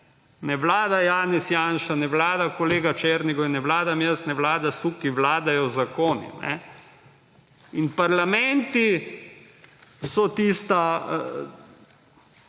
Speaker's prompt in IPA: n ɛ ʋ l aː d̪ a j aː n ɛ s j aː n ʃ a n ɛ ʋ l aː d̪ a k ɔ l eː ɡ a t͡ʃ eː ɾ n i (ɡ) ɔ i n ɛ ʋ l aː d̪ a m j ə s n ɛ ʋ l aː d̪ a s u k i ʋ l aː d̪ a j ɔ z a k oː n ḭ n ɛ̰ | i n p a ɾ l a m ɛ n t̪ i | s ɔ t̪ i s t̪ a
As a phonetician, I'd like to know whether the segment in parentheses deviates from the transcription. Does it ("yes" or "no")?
no